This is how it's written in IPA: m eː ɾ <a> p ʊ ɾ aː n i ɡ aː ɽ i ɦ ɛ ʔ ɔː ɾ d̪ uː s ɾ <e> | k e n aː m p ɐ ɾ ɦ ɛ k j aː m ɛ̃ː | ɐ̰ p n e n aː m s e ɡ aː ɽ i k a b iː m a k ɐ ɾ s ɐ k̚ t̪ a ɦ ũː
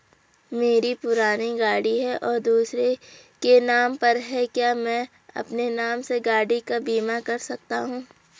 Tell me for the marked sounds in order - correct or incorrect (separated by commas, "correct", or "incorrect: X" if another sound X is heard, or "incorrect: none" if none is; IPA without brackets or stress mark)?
incorrect: i, correct